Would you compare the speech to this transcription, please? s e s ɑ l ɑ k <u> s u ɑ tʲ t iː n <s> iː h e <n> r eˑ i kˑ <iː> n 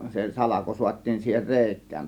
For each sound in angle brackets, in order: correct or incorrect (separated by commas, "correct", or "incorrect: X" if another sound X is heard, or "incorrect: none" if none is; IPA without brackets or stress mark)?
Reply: incorrect: o, correct, correct, incorrect: æː